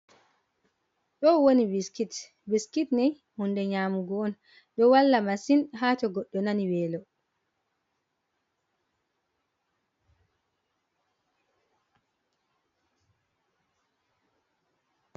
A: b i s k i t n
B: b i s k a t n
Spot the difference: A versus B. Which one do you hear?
A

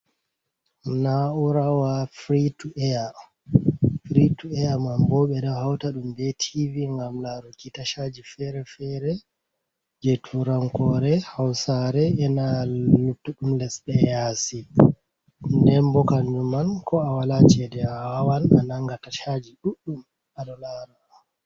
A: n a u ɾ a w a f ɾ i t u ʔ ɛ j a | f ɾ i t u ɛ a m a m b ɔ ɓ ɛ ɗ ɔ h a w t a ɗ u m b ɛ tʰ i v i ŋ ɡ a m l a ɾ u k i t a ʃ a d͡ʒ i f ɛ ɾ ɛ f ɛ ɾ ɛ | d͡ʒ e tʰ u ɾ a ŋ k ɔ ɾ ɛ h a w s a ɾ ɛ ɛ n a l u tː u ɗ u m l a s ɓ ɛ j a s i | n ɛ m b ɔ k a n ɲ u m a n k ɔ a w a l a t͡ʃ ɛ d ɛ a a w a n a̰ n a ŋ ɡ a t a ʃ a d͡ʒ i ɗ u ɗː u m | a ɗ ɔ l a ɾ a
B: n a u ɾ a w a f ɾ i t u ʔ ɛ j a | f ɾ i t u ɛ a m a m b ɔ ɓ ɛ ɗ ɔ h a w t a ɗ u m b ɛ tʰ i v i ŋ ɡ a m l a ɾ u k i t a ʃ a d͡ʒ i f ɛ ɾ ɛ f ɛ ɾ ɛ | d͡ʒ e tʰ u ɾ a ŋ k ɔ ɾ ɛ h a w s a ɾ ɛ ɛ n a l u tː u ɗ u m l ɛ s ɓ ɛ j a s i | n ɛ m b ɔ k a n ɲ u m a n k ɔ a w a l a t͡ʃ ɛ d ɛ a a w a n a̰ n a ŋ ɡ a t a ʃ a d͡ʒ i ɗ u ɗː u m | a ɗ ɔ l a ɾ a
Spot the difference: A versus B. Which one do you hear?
B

